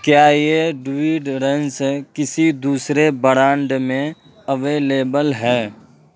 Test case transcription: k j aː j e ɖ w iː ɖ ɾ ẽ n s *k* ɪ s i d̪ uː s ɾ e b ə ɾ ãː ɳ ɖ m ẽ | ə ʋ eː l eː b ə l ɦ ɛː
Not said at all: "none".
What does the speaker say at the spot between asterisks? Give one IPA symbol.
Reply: k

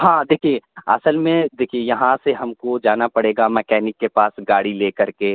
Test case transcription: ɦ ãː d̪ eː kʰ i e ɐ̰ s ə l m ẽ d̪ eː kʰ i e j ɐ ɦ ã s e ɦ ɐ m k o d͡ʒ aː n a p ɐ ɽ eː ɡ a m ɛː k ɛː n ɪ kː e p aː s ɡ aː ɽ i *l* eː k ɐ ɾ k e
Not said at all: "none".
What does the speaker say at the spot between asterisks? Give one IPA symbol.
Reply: l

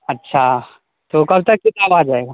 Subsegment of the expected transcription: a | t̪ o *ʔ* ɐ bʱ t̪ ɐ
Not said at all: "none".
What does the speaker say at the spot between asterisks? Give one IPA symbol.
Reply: k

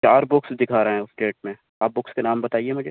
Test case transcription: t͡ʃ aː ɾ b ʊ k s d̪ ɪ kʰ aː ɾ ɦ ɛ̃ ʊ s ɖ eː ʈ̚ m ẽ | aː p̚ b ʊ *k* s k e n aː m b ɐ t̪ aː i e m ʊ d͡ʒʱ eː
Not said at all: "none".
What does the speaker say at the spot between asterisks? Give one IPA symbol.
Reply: k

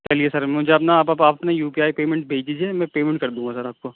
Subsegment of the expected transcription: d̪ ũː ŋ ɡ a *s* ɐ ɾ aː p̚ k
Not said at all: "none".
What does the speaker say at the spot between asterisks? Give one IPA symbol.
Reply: s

